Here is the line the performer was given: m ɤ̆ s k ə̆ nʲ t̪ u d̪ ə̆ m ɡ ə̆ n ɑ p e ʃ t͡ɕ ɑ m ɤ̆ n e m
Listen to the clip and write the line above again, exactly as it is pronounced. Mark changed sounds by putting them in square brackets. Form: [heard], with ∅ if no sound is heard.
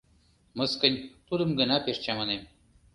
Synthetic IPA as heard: m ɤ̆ s k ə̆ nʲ t̪ u d̪ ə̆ m ɡ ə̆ n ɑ p e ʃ t͡ɕ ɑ m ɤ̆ n e m